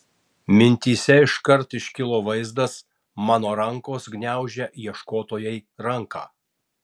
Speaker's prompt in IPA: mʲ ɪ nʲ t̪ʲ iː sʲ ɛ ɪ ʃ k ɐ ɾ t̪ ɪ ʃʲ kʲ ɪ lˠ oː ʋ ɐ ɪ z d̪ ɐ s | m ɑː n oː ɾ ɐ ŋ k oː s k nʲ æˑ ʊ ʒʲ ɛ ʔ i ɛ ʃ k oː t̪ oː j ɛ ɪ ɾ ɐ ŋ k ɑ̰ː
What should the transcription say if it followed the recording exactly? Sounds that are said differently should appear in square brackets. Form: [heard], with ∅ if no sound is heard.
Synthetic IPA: mʲ ɪ nʲ t̪ʲ iː sʲ ɛ ɪ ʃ k ɐ ɾ t̪ ɪ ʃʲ kʲ ɪ lˠ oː ʋ ɐ ɪ z d̪ ɐ s | m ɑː n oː ɾ ɐ ŋ k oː s [ɡ] nʲ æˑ ʊ ʒʲ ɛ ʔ i ɛ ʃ k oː t̪ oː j ɛ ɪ ɾ ɐ ŋ k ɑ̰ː